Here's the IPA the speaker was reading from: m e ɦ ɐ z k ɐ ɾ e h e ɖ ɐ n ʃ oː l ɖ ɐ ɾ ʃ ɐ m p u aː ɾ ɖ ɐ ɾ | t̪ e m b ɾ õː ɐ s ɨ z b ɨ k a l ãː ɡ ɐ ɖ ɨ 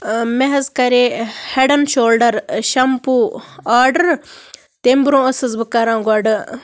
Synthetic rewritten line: m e ɦ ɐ z k ɐ ɾ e h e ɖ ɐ n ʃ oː l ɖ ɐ ɾ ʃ ɐ m p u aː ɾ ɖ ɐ ɾ | t̪ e m b ɾ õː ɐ s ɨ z b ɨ k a ɾ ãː ɡ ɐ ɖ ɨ